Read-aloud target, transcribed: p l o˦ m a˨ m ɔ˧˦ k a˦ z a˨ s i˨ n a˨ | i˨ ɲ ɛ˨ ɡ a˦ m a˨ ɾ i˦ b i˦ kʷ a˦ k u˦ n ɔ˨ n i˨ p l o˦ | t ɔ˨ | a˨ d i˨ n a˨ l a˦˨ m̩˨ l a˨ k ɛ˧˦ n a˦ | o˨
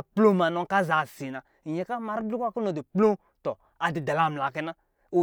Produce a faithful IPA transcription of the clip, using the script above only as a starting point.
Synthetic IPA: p l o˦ m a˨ n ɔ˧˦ k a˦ z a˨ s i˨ n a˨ | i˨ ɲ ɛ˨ k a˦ m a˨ ɾ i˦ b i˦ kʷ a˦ k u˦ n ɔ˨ d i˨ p l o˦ | t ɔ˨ | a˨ d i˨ d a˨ l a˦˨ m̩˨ l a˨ k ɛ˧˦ n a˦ | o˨